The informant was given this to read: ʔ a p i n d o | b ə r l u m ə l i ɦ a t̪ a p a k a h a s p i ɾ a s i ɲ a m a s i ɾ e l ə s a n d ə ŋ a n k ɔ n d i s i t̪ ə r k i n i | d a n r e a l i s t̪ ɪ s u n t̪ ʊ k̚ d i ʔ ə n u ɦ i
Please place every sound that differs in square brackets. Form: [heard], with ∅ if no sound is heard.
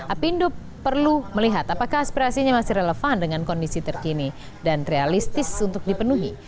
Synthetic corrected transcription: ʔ a p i n d o | [p] ə r l u m ə l i ɦ a t̪ a p a k a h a s p i ɾ a s i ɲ a m a s i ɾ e l ə [f] a n d ə ŋ a n k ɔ n d i s i t̪ ə r k i n i | d a n r e a l i s t̪ ɪ s u n t̪ ʊ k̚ d i [p] ə n u ɦ i